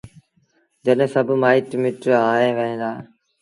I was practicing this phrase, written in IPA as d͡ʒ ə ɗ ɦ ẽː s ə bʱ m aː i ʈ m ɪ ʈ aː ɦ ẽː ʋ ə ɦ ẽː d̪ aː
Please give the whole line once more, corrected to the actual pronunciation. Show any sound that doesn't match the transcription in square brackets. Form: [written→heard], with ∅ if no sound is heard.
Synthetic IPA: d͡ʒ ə ɗ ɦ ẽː s ə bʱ m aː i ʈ m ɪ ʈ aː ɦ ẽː ʋ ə ɦ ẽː d̪ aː